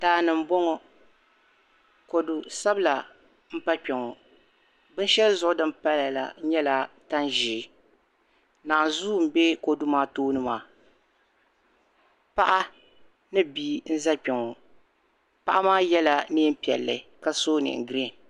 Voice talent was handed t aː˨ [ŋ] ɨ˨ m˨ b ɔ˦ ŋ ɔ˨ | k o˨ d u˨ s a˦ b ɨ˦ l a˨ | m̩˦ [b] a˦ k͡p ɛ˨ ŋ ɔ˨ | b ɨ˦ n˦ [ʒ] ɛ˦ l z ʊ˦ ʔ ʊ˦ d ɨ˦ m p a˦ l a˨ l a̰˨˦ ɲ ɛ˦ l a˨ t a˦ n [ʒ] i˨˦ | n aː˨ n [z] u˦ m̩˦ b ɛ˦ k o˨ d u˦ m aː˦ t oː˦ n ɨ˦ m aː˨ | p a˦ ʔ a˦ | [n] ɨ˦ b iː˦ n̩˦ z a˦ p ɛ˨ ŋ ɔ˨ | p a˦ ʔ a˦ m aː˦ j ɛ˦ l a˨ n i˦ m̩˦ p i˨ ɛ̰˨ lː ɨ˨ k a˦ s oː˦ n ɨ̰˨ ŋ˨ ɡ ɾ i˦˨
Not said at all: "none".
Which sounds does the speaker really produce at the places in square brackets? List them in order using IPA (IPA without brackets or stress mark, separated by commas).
n, p, ʃ, ʒ, z, n